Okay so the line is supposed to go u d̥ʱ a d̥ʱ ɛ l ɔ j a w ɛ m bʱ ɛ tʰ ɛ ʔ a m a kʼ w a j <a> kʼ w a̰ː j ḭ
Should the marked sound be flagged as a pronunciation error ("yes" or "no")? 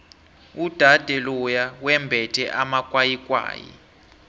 yes